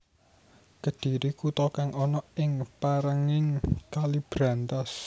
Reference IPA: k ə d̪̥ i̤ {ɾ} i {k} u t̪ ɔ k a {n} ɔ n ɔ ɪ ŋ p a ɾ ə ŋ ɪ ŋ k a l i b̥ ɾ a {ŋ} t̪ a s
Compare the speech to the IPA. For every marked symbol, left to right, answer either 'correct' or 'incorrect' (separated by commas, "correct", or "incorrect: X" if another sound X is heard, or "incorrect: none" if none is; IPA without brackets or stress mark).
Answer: correct, correct, incorrect: ŋ, incorrect: n